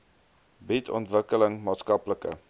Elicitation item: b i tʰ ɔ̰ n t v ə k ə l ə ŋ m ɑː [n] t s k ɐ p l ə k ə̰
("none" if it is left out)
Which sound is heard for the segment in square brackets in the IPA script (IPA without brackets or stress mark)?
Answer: none